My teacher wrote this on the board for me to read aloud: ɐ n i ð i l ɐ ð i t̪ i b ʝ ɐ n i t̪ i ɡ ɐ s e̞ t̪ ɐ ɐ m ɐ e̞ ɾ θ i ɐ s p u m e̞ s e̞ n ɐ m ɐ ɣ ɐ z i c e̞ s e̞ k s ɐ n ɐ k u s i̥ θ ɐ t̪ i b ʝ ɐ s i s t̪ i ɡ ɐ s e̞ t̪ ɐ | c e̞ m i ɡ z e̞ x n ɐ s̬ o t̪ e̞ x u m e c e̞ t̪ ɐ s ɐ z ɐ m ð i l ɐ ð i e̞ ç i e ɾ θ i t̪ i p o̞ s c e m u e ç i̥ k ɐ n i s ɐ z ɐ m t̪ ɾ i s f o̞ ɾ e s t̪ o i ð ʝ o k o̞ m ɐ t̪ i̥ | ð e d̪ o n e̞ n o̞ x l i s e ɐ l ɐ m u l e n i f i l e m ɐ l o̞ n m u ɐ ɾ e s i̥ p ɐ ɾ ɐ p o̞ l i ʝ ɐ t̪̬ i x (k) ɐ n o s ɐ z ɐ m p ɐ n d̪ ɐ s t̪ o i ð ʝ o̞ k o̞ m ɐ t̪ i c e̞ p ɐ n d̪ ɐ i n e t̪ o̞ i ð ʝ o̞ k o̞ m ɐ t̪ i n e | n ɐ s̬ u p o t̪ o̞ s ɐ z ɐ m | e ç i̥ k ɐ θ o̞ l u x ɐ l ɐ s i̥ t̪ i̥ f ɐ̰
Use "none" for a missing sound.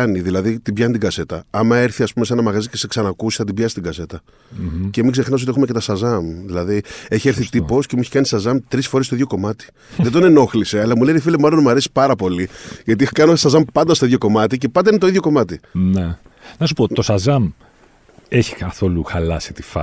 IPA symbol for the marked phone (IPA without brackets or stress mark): k